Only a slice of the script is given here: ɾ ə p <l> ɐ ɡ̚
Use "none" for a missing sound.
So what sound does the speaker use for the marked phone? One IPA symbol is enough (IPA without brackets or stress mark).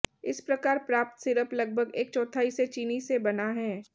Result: l